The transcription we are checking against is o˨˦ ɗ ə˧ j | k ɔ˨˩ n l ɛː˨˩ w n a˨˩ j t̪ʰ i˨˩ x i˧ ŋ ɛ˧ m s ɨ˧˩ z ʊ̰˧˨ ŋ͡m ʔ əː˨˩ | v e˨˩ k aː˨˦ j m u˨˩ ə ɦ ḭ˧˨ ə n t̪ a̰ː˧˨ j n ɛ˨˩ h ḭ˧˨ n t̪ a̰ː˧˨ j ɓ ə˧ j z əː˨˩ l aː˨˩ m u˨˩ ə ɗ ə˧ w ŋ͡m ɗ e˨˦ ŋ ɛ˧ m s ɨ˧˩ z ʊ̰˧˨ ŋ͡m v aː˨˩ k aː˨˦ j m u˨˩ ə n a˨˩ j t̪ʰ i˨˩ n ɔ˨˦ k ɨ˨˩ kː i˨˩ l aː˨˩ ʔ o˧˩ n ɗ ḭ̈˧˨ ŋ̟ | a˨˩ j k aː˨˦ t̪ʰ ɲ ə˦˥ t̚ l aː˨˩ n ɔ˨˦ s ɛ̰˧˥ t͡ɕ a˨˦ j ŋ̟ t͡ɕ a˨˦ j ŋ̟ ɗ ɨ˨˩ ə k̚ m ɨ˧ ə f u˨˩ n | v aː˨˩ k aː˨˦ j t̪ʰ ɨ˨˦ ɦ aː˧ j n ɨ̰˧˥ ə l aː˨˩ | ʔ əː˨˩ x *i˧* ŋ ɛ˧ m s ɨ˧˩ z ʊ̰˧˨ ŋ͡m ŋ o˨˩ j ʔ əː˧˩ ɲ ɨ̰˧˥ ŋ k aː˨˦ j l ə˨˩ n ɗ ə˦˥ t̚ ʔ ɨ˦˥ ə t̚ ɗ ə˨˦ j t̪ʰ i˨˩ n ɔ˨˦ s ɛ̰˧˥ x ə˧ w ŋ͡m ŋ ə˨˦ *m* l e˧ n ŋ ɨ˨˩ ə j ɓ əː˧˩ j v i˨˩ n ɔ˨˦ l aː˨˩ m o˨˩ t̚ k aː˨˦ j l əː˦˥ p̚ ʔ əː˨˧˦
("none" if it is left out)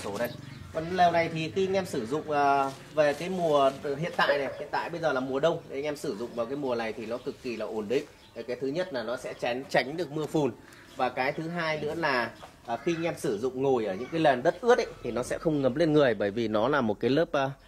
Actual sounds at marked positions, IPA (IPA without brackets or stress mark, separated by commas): i˧, m